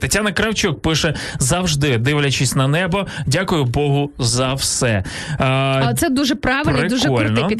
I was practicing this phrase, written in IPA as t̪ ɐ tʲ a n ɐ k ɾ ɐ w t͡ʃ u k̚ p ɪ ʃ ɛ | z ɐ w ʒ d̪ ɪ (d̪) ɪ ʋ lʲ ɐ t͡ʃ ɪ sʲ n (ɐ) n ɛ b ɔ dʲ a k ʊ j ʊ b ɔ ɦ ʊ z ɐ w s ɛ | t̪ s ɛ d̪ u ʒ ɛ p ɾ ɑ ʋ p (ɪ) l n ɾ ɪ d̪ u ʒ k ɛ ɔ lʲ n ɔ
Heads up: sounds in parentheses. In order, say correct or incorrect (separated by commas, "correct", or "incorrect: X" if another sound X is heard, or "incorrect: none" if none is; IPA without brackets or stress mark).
correct, correct, correct